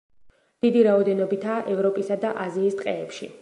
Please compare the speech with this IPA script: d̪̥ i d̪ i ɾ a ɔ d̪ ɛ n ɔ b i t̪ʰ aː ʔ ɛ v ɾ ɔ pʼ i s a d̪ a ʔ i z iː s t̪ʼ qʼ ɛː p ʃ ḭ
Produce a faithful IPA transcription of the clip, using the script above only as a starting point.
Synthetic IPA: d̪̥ i d̪ i ɾ a ɔ d̪ ɛ n ɔ b i t̪ʰ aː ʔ ɛ v ɾ ɔ pʼ i s a d̪ a ʔ a z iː s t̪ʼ qʼ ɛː p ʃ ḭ